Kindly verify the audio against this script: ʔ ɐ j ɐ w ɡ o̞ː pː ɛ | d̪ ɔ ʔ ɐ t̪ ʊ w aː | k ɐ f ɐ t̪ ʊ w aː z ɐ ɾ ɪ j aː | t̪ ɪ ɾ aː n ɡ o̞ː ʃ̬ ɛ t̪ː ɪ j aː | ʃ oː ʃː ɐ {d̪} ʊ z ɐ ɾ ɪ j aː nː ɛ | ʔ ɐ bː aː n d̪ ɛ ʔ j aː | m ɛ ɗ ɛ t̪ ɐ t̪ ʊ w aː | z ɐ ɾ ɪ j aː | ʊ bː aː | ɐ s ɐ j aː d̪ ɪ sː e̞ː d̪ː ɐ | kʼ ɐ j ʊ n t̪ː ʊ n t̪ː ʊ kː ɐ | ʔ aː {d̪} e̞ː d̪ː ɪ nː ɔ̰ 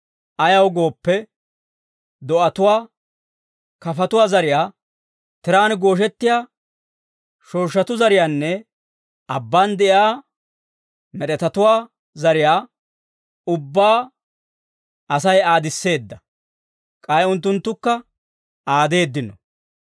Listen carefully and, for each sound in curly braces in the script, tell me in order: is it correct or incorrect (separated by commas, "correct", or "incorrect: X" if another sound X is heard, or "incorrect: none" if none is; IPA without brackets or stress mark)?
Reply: incorrect: t̪, correct